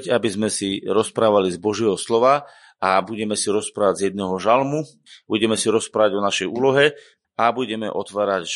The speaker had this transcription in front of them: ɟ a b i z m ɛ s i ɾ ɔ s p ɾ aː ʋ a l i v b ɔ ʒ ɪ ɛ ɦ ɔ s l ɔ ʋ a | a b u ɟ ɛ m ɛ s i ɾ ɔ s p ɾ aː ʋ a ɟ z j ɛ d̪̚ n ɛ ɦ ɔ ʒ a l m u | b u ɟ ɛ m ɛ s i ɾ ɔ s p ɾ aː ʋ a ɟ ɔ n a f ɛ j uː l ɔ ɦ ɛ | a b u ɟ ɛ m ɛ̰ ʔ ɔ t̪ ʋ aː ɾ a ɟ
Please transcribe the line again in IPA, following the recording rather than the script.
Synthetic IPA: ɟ a b i z m ɛ s i ɾ ɔ s p ɾ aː ʋ a l i z b ɔ ʒ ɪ ɛ ɦ ɔ s l ɔ ʋ a | a b u ɟ ɛ m ɛ s i ɾ ɔ s p ɾ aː ʋ a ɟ z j ɛ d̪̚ n ɛ ɦ ɔ ʒ a l m u | b u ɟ ɛ m ɛ s i ɾ ɔ s p ɾ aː ʋ a ɟ ɔ n a ʃ ɛ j uː l ɔ ɦ ɛ | a b u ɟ ɛ m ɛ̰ ʔ ɔ t̪ ʋ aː ɾ a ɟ